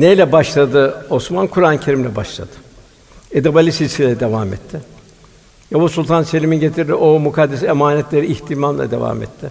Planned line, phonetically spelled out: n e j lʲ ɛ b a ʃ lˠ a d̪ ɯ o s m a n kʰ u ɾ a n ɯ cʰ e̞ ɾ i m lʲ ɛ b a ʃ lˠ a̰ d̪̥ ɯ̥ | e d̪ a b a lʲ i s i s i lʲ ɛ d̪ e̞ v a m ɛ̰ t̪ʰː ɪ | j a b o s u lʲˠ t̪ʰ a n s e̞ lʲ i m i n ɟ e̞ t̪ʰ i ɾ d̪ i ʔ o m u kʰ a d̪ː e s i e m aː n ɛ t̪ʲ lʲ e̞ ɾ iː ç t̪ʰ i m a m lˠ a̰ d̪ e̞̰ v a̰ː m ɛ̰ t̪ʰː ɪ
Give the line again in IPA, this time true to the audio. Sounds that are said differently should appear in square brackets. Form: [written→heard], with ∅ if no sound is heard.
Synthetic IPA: n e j lʲ ɛ b a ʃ lˠ a d̪ ɯ o s m a n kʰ u ɾ a n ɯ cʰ e̞ ɾ i m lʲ ɛ b a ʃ lˠ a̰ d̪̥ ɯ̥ | e d̪ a b a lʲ i s i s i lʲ ɛ d̪ e̞ v a m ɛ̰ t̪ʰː ɪ | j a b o s u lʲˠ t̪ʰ a n s e̞ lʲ i m i n ɟ e̞ t̪ʰ i ɾ d̪ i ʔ o m u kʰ a d̪ː e s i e m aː n ɛ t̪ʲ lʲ e̞ ɾ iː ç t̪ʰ i m a m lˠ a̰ d̪ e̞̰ v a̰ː m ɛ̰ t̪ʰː ɪ